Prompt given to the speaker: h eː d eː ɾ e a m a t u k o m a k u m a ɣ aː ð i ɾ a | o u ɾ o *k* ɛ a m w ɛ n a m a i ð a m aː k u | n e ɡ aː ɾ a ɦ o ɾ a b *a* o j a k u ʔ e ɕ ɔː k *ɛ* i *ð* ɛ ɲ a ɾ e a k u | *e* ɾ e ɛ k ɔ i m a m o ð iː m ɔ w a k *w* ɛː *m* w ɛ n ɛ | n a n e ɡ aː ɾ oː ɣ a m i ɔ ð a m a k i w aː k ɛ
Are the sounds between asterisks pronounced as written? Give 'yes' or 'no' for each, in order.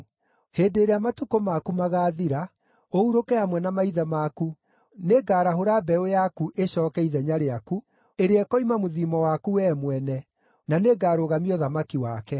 yes, no, yes, yes, yes, no, yes

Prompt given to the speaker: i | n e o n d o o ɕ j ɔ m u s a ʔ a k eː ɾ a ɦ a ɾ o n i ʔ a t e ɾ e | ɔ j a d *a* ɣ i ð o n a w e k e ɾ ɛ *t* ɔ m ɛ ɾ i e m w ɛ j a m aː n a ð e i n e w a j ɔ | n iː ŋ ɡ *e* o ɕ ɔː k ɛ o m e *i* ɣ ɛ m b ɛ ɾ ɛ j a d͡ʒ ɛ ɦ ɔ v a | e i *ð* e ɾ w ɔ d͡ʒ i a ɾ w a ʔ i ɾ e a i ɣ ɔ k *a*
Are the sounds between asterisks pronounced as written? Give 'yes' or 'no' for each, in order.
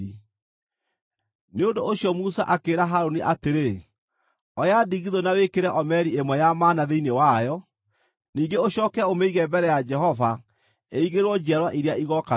no, no, yes, yes, no, yes

